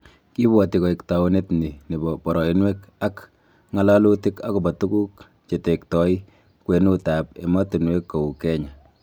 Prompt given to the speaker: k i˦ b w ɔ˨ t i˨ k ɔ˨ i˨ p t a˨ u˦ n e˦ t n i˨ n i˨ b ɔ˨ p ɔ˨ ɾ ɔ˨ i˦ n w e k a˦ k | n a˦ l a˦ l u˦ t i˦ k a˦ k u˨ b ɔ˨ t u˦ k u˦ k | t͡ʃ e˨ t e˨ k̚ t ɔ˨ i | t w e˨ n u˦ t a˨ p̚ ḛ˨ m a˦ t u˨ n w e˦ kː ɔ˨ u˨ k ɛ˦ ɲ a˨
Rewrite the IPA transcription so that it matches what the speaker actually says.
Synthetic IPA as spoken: k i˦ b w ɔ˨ t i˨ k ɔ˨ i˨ k t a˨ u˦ n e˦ t n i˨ n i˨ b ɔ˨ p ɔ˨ ɾ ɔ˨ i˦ n w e k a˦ k | ŋ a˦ l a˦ l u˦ t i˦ k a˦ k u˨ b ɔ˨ t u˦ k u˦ k | t͡ʃ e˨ t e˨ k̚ t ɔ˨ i | k w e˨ n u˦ t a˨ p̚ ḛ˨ m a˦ t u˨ n w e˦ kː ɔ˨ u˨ k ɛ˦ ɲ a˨